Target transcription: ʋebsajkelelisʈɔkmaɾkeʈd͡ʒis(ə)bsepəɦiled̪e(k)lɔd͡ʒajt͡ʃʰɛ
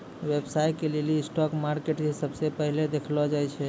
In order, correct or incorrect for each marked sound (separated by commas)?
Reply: correct, incorrect